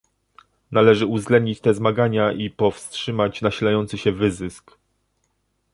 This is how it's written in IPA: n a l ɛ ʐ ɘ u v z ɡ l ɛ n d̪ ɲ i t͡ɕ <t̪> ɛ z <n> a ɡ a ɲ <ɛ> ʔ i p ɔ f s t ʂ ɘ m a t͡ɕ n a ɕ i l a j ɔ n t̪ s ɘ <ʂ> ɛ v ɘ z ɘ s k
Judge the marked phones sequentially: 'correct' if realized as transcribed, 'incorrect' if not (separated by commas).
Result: correct, incorrect, incorrect, incorrect